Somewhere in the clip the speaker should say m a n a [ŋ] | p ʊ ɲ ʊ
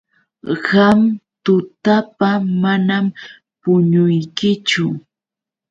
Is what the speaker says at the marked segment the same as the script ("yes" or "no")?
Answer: no